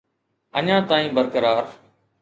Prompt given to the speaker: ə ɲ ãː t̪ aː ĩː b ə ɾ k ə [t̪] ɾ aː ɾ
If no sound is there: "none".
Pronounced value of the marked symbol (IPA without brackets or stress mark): none